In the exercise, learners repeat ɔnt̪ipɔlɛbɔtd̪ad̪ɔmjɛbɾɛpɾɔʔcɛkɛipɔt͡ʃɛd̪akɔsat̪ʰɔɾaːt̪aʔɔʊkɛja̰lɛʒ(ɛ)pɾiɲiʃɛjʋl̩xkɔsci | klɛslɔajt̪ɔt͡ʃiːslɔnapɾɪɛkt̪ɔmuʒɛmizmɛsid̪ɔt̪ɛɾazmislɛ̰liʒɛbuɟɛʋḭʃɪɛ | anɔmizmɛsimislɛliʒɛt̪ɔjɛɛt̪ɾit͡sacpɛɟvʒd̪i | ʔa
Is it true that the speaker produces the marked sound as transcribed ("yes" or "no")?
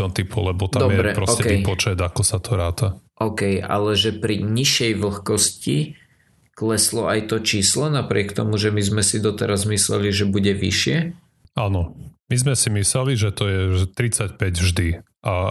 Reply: yes